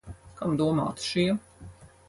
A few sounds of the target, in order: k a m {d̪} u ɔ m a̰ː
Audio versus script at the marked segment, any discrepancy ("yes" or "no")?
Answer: no